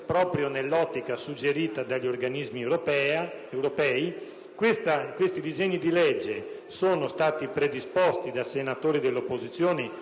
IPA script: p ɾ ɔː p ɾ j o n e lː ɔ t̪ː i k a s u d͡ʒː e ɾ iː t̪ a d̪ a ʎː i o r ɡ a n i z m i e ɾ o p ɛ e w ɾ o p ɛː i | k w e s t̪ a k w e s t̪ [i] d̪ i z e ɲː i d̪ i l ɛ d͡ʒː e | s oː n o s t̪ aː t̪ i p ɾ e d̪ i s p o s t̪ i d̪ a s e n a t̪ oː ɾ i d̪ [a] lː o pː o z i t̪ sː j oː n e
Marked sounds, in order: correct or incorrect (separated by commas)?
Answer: correct, incorrect